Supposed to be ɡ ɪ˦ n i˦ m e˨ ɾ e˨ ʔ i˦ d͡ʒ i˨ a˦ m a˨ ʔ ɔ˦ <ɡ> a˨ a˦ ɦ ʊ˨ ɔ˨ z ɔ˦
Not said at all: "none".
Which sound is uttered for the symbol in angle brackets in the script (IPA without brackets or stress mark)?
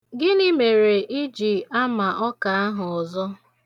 k